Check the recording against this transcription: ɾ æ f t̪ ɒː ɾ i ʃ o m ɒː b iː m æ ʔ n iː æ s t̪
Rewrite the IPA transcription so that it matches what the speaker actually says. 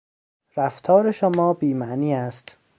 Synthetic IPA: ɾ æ f t̪ʰ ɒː ɾ e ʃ o m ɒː b iː m æ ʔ n iː æ s t̪